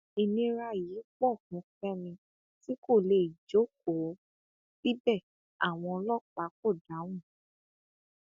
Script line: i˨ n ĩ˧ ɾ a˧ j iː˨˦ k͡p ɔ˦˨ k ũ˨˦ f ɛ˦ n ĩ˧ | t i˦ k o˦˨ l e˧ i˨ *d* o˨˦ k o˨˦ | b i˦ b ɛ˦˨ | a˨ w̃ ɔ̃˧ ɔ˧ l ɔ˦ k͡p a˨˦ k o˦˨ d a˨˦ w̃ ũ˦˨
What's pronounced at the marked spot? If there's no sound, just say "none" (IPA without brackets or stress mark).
d͡ʒ